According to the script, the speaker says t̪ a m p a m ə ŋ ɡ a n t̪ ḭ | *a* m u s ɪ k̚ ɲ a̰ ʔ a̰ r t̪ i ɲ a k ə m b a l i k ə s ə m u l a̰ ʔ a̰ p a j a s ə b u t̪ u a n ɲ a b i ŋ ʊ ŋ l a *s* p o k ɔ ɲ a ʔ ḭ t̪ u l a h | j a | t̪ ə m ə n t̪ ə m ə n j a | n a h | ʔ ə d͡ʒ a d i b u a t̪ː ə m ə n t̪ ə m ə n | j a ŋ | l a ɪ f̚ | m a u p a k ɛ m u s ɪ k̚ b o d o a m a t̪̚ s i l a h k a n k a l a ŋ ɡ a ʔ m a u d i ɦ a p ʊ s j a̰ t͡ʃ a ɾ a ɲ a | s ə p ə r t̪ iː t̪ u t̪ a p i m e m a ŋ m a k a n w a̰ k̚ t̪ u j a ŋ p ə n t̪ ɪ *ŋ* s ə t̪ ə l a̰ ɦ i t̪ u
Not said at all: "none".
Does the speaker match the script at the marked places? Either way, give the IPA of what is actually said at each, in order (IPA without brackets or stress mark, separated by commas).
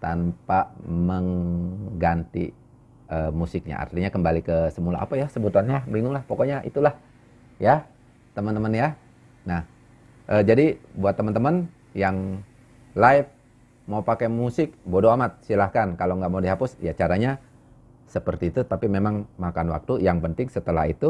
ə, h, ŋ